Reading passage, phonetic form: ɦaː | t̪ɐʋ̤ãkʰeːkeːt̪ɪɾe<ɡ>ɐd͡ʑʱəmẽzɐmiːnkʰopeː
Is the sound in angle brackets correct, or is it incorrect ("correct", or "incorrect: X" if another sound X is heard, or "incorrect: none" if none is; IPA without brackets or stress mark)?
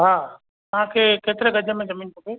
correct